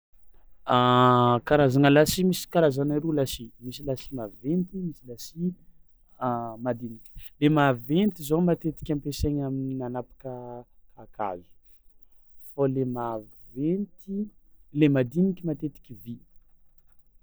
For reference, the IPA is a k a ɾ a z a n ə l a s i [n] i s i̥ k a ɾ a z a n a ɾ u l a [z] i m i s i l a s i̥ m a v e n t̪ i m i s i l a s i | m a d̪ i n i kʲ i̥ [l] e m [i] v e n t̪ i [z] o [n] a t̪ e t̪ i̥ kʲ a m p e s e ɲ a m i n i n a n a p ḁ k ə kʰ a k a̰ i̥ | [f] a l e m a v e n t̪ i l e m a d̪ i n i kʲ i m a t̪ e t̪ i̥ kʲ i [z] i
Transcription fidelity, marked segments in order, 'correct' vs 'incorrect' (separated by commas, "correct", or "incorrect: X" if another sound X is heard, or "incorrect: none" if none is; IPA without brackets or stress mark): incorrect: m, incorrect: s, correct, incorrect: a, correct, incorrect: m, correct, incorrect: v